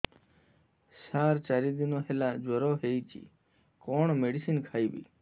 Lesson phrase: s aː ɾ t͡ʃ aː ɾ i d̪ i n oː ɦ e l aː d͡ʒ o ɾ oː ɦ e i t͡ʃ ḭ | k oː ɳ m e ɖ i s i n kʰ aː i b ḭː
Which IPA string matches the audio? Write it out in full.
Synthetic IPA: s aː ɾ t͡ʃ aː ɾ i d̪ i n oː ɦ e l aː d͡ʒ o ɾ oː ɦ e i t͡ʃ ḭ | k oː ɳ m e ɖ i s i n kʰ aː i b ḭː